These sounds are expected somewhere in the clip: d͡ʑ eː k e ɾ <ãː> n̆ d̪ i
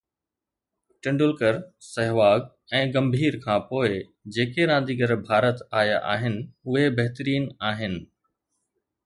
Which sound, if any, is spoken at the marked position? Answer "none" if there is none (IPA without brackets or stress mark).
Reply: ãː